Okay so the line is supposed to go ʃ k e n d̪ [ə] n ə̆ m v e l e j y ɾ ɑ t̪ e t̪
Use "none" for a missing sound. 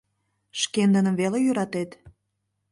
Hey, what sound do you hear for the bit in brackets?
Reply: ə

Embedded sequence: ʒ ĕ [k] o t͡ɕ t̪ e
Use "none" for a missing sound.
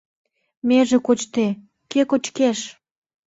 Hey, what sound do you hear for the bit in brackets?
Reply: k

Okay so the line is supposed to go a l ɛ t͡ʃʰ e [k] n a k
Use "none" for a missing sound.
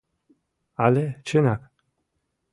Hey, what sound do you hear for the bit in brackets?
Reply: none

